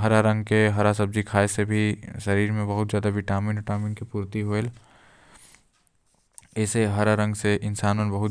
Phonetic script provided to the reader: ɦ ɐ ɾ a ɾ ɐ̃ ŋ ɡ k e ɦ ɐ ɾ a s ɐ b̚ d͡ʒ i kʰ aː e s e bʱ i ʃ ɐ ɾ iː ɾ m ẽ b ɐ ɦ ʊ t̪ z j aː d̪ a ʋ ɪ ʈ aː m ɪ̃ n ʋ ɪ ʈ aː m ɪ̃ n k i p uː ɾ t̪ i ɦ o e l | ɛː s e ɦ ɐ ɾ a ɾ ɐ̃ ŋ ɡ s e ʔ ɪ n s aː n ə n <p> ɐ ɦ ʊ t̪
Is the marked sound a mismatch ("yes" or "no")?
yes